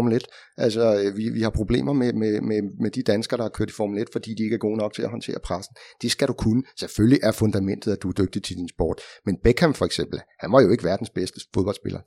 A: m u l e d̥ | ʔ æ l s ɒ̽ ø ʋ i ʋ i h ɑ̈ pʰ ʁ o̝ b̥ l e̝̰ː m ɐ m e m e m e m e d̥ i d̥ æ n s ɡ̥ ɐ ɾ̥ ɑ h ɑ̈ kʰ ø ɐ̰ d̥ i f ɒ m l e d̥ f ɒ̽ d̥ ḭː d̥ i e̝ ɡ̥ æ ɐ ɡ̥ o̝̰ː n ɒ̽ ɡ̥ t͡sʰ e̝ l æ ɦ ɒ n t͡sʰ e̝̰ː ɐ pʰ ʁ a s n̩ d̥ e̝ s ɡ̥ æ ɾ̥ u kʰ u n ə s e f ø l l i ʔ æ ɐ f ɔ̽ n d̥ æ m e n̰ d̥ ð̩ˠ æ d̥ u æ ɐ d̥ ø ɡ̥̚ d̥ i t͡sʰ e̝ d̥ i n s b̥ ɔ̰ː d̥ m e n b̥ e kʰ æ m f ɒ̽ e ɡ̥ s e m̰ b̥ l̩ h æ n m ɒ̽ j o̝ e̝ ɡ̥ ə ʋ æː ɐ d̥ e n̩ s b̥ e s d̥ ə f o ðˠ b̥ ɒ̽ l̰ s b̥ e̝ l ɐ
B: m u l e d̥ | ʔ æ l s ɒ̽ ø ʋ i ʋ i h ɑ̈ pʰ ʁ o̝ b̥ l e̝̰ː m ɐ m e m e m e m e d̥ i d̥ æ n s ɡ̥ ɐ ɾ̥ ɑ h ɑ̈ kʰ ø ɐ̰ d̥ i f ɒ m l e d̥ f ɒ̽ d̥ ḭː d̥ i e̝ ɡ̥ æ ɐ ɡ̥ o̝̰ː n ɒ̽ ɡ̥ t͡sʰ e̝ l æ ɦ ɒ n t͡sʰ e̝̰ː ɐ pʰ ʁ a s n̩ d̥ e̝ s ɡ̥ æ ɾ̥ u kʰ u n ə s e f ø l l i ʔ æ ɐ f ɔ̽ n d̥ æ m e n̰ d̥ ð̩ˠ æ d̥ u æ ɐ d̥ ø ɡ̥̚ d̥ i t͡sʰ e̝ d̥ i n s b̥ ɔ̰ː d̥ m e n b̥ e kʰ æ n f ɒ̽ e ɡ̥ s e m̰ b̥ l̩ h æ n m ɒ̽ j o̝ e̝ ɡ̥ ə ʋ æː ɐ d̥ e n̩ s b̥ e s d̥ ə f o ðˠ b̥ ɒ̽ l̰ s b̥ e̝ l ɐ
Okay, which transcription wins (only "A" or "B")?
A